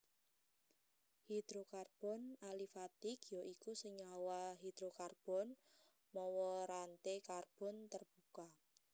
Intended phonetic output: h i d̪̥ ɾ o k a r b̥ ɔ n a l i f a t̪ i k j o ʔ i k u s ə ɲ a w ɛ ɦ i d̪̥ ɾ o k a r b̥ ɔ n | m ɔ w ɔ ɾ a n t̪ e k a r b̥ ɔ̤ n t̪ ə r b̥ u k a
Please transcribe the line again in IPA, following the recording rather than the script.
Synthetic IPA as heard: h i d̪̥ ɾ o k a r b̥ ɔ n a l i f a t̪ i k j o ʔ i k u s ə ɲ a w a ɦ i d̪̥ ɾ o k a r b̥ ɔ n | m ɔ w ɔ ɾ a n t̪ e k a r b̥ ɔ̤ n t̪ ə r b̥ u k a